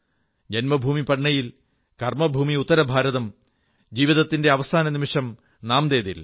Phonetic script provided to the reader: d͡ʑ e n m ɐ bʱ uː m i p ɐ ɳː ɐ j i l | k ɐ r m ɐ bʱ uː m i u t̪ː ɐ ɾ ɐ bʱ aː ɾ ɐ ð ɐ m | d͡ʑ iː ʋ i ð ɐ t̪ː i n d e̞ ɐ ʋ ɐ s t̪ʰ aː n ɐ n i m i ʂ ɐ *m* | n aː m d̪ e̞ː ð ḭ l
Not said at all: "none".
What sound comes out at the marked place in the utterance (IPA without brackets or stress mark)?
m